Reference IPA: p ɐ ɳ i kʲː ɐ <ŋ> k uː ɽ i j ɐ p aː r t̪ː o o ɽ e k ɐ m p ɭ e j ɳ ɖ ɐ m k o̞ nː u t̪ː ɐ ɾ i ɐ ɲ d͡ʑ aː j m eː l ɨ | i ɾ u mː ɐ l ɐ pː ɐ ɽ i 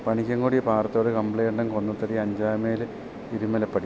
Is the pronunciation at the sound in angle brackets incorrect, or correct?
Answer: correct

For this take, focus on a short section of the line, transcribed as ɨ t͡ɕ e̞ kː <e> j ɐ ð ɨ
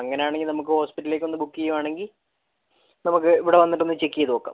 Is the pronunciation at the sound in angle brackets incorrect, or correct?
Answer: incorrect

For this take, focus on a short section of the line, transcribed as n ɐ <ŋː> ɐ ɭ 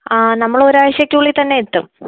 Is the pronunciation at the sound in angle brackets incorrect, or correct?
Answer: incorrect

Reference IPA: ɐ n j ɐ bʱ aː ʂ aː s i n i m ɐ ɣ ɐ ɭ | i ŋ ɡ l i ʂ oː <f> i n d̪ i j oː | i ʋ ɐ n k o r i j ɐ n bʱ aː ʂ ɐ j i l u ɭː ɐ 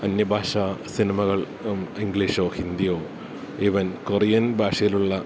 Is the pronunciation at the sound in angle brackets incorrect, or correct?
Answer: incorrect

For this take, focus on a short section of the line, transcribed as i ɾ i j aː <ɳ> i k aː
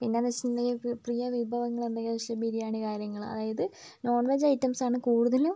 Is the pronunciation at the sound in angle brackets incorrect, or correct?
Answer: correct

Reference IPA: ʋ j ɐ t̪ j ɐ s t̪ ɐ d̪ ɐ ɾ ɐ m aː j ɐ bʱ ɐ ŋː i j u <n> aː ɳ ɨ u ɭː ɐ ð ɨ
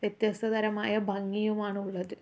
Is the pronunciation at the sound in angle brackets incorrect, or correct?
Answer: incorrect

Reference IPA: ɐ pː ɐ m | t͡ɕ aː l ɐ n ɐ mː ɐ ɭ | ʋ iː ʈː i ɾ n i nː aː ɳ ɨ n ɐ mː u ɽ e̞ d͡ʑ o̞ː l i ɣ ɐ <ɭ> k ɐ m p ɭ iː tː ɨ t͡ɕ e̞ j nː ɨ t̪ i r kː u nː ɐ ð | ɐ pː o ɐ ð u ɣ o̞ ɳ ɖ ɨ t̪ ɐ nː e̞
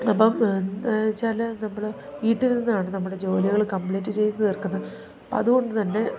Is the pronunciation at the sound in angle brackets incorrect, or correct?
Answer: correct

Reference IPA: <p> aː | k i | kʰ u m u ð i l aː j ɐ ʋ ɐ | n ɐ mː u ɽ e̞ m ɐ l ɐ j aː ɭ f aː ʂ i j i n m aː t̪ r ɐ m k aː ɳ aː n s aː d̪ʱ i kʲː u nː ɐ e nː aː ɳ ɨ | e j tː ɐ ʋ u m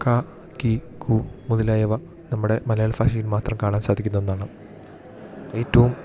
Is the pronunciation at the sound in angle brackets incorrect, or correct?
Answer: incorrect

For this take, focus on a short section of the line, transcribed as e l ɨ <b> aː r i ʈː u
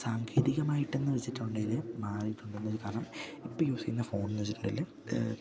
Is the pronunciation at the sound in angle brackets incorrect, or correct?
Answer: incorrect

